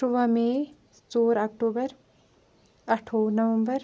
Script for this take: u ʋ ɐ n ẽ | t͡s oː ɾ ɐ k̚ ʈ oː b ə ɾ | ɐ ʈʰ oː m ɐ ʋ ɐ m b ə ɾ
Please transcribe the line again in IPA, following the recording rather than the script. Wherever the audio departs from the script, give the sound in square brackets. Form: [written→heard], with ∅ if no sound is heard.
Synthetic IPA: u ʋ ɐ [n→m] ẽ | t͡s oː ɾ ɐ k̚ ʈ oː b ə ɾ | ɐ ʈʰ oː [m→n] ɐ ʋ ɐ m b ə ɾ